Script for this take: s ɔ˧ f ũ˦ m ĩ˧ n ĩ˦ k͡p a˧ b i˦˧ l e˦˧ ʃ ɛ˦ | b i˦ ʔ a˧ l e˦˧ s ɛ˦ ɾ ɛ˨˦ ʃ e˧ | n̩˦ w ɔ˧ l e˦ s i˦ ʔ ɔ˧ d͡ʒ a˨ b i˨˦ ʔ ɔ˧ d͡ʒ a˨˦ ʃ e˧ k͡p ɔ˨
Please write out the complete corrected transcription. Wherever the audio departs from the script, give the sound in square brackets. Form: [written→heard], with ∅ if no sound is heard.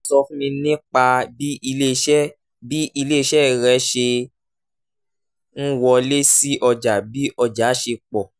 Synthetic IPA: s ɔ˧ f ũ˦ m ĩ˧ n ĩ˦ k͡p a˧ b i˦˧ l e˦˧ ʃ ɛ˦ | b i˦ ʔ [a˧→i˧] l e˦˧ [s→ʃ] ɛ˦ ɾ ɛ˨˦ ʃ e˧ | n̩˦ w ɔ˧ l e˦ s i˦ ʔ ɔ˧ d͡ʒ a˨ b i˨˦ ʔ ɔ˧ d͡ʒ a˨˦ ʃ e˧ k͡p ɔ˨